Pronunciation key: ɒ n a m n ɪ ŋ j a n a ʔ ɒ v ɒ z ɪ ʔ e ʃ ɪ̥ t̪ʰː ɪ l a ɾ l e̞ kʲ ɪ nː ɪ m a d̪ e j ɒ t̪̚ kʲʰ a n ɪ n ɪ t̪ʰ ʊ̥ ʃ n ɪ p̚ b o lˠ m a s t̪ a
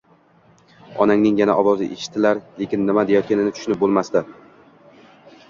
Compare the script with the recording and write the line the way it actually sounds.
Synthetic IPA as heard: ɒ n a ŋ n ɪ ŋ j a n a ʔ ɒ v ɒ z ɪ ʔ e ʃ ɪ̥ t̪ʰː ɪ l a ɾ l e̞ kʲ ɪ nː ɪ m a d̪ e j ɒ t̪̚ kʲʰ a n ɪ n ɪ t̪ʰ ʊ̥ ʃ n ɪ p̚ b o lˠ m a s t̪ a